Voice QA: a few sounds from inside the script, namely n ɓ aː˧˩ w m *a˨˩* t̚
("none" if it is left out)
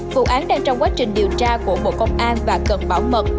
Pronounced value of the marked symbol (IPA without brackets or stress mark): ə˨˩